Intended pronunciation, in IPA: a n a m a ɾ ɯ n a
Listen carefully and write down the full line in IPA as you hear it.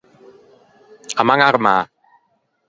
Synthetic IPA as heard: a m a ŋ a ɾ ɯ m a